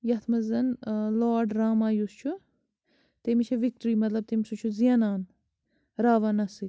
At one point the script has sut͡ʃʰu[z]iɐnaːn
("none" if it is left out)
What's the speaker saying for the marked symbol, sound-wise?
z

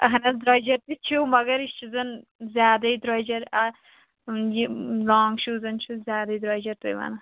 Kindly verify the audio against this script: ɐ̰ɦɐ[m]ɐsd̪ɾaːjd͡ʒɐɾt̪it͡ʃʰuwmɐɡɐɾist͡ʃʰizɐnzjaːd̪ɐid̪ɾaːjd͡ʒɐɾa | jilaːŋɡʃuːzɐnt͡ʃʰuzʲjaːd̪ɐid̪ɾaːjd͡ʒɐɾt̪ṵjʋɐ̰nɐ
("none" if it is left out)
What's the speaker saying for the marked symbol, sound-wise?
n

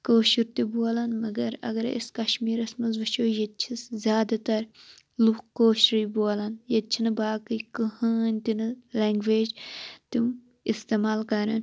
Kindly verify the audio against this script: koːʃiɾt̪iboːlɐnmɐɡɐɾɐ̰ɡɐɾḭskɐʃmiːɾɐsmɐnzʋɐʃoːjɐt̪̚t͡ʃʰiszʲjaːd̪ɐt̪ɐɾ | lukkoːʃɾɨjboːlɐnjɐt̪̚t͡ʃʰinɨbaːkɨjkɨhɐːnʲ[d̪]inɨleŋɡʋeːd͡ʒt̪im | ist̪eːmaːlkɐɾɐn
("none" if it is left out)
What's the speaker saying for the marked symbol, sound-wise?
t̪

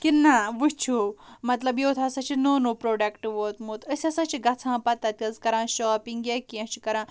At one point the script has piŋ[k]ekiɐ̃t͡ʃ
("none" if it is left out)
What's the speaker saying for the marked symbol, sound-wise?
ɡ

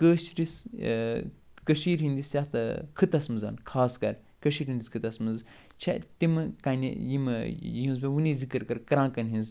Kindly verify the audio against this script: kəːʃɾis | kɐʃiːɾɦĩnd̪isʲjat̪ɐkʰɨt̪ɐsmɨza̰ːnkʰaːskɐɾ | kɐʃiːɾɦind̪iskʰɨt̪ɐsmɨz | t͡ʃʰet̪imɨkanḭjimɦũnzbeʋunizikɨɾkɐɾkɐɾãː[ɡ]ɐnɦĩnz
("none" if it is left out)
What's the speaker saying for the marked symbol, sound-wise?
k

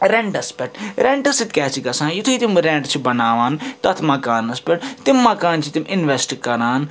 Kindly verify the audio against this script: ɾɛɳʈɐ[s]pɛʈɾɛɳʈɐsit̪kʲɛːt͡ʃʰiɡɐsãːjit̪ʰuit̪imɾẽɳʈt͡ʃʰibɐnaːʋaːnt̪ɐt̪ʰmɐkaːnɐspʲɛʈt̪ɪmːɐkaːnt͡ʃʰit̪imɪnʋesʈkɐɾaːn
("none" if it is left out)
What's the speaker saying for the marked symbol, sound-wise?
s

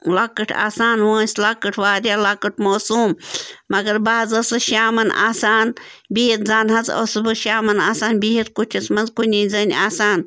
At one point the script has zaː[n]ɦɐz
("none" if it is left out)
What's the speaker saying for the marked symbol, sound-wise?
n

